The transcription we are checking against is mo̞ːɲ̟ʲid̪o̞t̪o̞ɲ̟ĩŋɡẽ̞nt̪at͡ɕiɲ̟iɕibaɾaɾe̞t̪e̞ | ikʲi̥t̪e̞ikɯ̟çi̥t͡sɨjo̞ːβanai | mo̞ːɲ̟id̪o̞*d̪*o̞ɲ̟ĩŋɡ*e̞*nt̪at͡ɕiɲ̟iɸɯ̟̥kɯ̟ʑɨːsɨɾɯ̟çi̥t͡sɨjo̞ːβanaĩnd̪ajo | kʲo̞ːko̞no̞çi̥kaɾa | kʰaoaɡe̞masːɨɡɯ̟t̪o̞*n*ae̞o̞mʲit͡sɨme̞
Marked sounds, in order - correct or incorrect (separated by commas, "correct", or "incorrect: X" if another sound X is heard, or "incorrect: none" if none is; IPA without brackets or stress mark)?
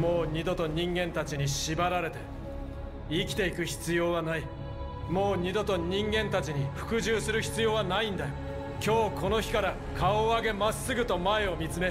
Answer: incorrect: t̪, incorrect: ẽ̞, incorrect: m